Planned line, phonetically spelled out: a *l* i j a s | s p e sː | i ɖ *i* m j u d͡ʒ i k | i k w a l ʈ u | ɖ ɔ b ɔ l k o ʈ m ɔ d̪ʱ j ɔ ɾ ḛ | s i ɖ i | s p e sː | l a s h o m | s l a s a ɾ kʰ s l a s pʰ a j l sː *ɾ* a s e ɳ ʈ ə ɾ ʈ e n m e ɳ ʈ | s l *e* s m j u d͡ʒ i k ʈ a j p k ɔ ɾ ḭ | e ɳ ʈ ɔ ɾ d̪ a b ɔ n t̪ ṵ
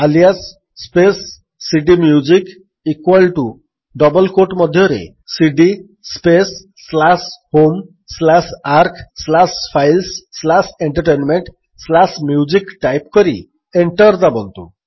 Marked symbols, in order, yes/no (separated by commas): yes, yes, no, no